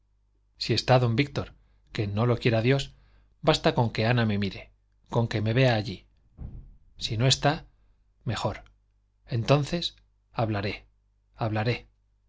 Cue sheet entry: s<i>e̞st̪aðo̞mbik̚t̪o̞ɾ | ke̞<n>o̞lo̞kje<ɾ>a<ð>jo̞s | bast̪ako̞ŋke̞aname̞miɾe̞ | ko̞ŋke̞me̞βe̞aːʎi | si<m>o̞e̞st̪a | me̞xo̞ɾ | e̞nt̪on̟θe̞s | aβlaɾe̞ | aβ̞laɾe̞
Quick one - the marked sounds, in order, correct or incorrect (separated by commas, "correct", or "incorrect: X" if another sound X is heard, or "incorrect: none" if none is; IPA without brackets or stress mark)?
correct, correct, correct, correct, incorrect: n